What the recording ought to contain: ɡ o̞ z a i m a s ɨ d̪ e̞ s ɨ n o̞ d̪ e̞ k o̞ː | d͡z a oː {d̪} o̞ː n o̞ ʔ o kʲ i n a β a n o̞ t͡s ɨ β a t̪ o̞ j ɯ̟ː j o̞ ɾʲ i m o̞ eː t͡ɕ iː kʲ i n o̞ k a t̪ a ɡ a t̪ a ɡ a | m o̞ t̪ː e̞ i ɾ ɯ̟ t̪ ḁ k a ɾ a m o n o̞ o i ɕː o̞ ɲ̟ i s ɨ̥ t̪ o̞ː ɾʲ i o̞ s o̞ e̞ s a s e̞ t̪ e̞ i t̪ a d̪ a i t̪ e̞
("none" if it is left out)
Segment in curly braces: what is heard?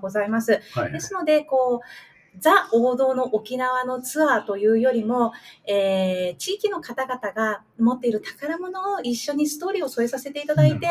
d̪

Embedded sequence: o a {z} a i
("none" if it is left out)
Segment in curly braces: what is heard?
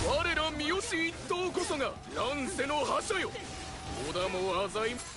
z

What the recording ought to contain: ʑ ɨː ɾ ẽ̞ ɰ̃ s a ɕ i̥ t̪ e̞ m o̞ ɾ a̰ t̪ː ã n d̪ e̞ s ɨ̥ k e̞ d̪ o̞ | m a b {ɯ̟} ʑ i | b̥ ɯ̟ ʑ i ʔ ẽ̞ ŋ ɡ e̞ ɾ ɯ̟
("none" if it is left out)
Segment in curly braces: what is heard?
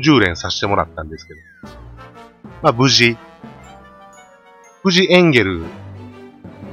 ɯ̟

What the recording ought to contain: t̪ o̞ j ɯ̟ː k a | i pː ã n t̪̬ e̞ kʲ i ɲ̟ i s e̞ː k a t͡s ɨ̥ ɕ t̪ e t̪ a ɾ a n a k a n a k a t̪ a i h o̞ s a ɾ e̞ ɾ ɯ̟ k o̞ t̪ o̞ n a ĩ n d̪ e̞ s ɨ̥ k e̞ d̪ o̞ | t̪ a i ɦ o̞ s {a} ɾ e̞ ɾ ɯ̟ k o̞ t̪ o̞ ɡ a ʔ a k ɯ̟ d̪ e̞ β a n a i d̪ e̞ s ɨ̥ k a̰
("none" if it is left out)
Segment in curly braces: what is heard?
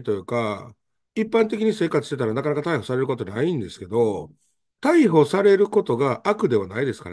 a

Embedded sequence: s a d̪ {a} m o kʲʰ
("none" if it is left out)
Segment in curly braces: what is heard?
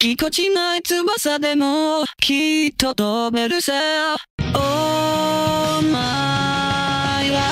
e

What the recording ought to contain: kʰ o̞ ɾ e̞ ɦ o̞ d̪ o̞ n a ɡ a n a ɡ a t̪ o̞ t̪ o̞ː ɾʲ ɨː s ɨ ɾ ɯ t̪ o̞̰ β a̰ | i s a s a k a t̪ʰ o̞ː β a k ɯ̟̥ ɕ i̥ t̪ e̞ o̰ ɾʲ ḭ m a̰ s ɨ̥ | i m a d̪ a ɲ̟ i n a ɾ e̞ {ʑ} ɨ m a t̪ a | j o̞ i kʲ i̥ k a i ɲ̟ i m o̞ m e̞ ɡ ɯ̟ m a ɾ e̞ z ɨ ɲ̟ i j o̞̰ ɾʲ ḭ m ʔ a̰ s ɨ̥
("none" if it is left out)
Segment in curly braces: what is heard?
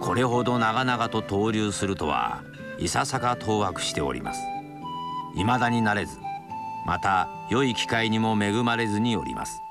z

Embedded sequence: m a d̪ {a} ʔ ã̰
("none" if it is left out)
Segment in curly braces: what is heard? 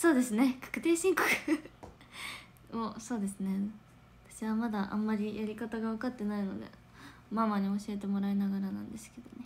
a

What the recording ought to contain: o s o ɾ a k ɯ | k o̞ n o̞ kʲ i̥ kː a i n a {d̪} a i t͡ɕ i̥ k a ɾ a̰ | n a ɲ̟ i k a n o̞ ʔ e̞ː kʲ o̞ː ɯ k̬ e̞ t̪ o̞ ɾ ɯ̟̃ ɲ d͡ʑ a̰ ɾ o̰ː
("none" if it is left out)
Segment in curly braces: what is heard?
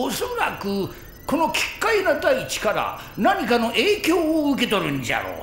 d̪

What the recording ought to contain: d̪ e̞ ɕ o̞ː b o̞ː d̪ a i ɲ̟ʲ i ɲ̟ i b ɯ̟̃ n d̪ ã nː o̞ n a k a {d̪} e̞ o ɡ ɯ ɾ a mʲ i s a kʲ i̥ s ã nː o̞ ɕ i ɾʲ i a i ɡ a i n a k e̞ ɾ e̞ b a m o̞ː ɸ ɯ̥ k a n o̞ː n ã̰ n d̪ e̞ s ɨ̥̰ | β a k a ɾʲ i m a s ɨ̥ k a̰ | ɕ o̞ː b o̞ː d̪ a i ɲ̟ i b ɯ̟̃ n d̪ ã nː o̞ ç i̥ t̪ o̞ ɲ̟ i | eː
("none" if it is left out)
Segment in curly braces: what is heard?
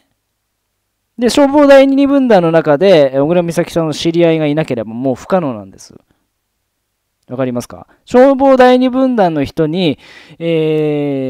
d̪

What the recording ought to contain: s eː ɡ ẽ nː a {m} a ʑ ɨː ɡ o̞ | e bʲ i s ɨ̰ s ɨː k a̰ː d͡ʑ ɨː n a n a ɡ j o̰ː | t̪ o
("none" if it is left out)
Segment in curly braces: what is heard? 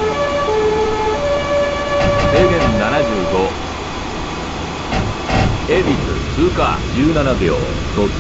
n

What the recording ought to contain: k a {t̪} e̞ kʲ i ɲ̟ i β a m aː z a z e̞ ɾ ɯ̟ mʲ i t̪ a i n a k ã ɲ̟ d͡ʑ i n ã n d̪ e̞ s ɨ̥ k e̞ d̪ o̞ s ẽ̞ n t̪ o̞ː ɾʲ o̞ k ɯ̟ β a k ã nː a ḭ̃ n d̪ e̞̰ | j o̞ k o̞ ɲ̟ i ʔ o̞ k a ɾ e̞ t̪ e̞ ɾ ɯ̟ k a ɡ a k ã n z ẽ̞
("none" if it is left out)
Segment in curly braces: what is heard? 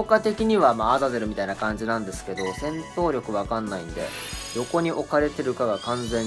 t̪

